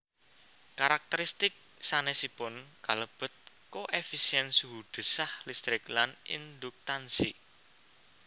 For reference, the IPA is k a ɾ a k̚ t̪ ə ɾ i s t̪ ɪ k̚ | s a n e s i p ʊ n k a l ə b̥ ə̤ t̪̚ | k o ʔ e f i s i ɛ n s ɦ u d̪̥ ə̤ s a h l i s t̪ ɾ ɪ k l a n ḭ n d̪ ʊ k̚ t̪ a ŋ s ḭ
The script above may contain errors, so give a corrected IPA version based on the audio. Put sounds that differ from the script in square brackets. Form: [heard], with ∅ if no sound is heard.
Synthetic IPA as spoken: k a ɾ a k̚ t̪ ə ɾ i s t̪ ɪ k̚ | s a n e s i p ʊ n k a l ə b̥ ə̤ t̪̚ | k o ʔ e f i s i ɛ n s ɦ u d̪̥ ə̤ s a h l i s t̪ ɾ ɪ k l a n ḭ n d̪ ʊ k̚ t̪ a [n] s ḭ